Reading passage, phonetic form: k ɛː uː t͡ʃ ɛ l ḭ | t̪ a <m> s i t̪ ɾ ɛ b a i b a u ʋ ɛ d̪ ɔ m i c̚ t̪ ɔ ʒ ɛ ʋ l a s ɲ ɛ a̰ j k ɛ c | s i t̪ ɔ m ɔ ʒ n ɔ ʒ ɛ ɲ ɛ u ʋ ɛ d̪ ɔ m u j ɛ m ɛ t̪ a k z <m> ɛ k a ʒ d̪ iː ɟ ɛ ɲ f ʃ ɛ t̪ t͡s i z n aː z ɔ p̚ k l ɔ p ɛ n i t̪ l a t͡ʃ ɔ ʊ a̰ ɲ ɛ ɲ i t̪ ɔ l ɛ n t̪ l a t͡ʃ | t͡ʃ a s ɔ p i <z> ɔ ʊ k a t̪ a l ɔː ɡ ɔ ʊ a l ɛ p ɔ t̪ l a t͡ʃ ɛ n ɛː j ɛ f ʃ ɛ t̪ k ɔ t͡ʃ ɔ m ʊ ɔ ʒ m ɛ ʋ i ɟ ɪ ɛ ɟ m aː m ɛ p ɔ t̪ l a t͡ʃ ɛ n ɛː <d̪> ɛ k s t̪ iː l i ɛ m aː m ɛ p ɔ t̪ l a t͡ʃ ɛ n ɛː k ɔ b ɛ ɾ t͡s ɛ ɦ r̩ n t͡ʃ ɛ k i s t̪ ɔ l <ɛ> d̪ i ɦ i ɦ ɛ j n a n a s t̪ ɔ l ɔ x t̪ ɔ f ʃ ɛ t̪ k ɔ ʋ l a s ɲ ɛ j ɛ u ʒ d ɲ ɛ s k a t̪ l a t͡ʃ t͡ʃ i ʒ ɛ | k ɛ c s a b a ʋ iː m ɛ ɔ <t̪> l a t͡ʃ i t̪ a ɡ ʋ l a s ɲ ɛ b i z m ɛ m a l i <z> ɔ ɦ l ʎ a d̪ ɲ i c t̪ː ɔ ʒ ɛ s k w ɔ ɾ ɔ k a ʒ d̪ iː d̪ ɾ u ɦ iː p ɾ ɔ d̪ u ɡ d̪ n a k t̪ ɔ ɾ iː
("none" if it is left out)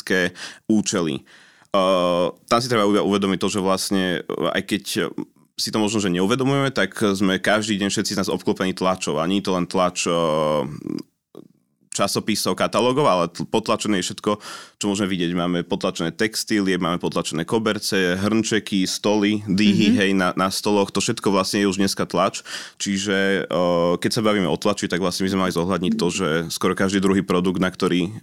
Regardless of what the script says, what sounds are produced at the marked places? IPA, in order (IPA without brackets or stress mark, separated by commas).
m, m, s, t̪, i, t̪, z